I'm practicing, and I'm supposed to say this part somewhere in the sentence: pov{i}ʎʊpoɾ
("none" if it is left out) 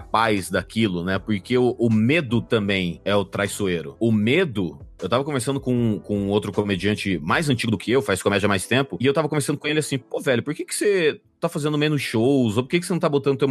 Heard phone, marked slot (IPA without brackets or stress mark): ɛ